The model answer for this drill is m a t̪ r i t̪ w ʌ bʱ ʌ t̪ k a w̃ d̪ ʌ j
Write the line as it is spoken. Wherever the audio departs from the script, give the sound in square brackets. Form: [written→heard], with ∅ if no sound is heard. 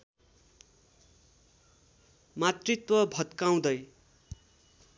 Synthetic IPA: m a t̪ r i t̪ w ʌ bʱ ʌ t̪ k a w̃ d̪ ʌ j